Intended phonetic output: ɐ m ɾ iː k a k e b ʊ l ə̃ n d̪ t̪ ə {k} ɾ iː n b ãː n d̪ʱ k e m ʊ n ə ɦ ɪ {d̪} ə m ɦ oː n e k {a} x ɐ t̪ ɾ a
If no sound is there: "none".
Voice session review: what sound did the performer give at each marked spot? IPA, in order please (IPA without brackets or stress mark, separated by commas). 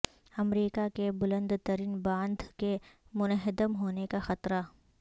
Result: none, d̪, a